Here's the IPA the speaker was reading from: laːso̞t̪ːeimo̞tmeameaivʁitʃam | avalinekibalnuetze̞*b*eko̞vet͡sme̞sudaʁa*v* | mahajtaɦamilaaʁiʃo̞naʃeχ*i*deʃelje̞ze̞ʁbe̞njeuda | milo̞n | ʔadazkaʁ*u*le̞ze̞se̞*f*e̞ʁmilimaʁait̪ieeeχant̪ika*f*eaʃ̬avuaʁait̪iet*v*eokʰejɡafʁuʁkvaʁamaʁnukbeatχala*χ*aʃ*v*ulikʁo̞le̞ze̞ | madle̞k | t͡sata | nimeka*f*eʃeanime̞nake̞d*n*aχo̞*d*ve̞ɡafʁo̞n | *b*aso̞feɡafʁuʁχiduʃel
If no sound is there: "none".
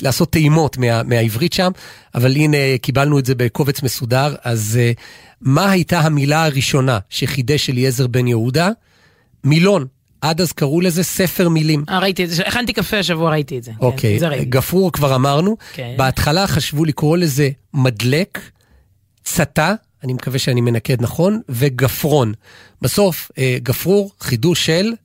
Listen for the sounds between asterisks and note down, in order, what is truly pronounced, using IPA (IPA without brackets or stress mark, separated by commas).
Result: b, z, i, u, f, f, z, χ, v, v, n, n, b